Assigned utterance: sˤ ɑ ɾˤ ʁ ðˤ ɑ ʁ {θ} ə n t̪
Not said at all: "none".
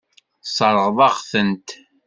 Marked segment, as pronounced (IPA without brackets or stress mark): θ